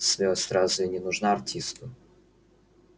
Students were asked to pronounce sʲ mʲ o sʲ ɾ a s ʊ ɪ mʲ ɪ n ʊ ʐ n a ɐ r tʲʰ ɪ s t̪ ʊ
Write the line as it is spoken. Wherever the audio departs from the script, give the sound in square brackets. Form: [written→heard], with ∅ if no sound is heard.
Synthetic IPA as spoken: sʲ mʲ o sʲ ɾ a [s→z] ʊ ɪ [mʲ→nʲ] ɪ n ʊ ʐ n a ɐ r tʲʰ [ɪ→i] s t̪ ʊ